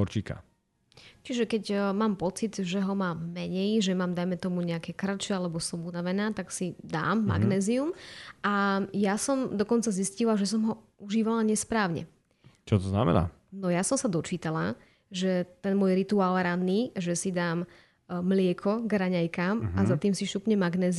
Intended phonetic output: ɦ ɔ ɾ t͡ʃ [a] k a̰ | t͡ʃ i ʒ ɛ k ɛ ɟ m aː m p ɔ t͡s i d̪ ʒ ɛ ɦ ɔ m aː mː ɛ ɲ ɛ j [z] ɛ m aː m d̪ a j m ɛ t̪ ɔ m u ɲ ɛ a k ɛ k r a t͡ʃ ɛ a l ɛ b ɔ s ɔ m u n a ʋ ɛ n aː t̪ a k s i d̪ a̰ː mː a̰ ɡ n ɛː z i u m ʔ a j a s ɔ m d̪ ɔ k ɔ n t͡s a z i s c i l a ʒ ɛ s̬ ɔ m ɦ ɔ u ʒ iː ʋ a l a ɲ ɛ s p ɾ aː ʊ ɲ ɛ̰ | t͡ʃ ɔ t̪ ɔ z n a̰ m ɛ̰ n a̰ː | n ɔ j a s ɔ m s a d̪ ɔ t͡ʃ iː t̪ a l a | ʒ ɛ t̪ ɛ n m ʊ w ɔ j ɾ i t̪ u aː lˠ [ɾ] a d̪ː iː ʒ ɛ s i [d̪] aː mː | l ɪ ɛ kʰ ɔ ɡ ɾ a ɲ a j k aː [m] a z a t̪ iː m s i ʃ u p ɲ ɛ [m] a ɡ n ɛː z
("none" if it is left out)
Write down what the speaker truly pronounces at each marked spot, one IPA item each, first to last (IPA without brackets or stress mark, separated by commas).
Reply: i, ʒ, ɾ, d̪, m, m